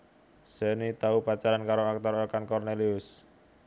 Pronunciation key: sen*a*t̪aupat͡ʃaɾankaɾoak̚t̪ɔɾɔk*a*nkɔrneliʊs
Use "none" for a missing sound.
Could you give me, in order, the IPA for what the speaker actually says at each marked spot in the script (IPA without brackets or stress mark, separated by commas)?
i, a